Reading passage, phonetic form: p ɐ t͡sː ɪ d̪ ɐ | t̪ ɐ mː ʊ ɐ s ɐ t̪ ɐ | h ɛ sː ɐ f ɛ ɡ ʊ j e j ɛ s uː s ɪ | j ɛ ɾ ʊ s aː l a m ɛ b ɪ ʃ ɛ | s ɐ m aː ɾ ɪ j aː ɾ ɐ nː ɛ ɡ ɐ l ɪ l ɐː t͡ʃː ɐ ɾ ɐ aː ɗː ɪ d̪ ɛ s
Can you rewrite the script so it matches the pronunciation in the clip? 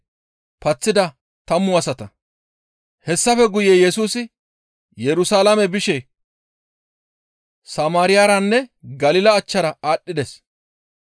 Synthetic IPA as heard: p ɐ t͡sː ɪ d̪ ɐ | t̪ ɐ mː ʊ ɐ s ɐ t̪ ɐ | h ɛ sː ɐ f ɛ ɡ ʊ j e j ɛ s uː s ɪ | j ɛ ɾ ʊ s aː l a m ɛ b ɪ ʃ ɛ | s ɐ m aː ɾ ɪ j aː ɾ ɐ nː ɛ ɡ ɐ l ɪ l ɐː t͡ʃː ɐ ɾ ɐ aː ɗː ɪ d̪ ɛ s